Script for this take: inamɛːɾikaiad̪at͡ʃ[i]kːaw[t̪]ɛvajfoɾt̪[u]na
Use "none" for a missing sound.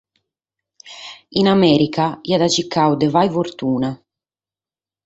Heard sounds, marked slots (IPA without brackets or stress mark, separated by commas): i, d̪, uː